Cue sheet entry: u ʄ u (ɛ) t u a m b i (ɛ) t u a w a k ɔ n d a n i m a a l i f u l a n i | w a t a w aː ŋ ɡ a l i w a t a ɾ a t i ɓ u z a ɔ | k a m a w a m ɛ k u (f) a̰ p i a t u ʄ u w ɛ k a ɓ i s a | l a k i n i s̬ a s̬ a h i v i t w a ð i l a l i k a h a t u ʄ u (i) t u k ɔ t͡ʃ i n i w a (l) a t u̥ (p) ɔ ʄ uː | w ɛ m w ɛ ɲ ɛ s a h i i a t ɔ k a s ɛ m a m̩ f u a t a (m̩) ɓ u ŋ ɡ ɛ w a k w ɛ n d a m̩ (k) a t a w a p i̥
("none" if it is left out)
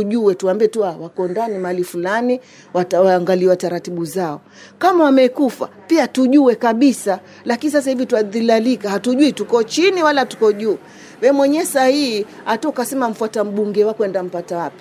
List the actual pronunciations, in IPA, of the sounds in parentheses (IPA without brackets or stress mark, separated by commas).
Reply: ɛ, ɛ, f, i, l, k, m̩, p